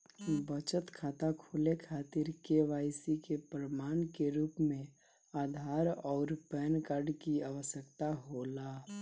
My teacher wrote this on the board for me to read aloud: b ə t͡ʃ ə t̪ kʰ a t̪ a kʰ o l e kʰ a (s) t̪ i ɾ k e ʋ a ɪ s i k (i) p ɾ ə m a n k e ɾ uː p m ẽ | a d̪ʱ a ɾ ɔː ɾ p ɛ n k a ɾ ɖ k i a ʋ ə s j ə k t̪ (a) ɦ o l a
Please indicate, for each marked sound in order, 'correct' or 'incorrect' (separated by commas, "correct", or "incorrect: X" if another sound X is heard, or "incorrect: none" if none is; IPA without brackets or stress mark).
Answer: incorrect: none, incorrect: e, correct